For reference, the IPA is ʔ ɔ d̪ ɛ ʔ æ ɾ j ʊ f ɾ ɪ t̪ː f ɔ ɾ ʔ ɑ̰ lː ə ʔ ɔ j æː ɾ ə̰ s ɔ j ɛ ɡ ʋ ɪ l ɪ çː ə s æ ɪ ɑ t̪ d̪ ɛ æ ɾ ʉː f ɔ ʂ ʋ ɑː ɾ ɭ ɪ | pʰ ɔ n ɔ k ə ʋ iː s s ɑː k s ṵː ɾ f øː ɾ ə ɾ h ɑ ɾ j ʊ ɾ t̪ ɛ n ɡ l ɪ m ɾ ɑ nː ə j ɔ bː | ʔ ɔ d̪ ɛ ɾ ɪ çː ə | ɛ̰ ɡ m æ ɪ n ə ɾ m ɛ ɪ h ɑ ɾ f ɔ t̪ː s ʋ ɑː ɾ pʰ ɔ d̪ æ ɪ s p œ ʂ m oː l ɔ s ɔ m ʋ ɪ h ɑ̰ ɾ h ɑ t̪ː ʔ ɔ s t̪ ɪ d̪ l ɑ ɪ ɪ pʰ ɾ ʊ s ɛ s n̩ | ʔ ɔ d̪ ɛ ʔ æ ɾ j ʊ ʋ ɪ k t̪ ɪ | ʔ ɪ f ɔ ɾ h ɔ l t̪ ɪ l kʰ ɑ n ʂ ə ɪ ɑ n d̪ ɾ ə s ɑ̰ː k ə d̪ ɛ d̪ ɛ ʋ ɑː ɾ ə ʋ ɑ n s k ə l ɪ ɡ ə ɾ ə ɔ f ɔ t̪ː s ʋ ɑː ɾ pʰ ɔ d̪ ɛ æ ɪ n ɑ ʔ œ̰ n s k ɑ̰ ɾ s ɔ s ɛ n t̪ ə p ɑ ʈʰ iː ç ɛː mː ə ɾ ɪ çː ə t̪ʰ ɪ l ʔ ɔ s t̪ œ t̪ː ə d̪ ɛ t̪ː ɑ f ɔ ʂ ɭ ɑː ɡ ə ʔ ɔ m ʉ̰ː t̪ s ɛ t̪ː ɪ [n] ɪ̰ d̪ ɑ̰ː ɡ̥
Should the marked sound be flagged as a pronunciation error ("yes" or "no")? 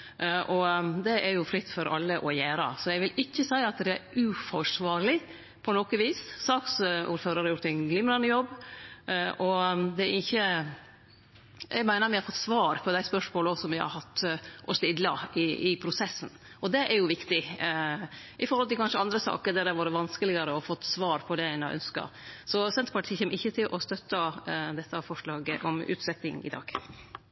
yes